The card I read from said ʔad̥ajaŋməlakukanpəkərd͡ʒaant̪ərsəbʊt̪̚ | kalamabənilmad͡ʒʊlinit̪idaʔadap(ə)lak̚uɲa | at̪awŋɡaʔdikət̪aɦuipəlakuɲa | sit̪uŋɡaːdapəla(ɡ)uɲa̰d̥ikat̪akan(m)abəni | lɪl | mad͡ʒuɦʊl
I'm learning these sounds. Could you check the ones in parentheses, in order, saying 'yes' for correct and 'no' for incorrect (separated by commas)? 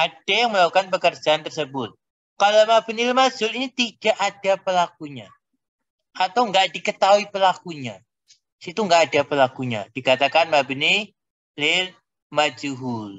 yes, no, yes